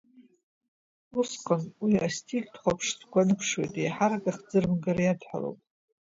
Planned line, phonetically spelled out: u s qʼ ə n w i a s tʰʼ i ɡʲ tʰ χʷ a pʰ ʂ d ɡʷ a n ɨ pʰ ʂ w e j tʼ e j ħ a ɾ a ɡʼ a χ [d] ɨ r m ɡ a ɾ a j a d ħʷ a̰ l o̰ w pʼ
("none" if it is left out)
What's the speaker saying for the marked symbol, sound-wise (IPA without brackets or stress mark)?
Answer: d͡z